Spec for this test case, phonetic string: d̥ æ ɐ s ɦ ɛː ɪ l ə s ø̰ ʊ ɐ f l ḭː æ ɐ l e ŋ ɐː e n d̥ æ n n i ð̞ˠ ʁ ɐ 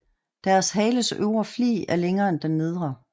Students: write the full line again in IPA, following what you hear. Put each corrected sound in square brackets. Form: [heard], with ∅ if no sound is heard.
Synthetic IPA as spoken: d̥ æ ɐ s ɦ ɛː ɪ l ə s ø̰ ʊ ɐ f l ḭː æ ɐ l e ŋ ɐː e n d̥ [e] n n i ð̞ˠ ʁ ɐ